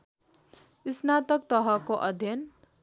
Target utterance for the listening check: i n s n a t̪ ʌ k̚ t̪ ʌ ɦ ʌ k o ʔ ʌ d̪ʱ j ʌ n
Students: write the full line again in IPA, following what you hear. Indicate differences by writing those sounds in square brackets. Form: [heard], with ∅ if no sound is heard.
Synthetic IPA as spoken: i [∅] s n a t̪ ʌ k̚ t̪ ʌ ɦ ʌ k o ʔ ʌ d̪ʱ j ʌ n